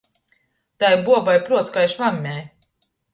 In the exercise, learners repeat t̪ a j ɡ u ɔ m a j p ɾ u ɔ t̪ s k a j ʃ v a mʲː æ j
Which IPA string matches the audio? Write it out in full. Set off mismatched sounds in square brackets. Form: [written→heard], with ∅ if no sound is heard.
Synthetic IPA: t̪ a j [ɡ→b] u ɔ [m→b] a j p ɾ u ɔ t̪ s k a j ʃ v a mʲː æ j